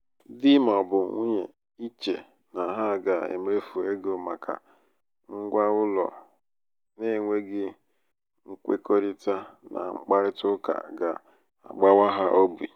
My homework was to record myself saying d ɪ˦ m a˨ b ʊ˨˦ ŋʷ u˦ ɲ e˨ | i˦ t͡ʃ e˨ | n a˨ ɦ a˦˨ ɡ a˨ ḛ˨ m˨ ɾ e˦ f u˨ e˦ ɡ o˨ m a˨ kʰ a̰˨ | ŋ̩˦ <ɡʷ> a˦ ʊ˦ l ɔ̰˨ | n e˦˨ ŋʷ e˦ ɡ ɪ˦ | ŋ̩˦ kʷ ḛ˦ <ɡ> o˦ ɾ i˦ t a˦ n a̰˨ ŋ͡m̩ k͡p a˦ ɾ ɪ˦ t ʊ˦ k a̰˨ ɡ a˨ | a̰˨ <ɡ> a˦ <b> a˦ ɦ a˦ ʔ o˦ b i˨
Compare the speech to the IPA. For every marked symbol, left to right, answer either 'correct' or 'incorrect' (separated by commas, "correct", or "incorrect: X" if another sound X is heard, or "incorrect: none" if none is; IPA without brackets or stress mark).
correct, incorrect: k, incorrect: ɡ͡b, incorrect: w